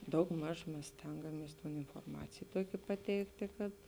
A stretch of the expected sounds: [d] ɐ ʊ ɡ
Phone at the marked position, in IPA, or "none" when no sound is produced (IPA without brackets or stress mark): d